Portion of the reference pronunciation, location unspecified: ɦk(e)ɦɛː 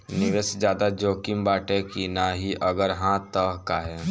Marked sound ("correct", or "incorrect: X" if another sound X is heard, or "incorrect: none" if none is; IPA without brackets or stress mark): incorrect: a